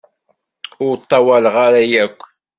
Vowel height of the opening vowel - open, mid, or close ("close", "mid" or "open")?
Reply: close